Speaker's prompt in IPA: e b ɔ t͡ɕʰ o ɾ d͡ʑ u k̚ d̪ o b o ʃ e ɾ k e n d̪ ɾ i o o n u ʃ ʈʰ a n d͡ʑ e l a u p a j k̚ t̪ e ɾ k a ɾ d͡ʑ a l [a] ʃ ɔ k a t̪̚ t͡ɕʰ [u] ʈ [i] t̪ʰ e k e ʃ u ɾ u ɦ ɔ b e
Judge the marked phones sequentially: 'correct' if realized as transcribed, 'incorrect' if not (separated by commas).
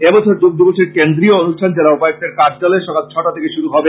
incorrect, incorrect, incorrect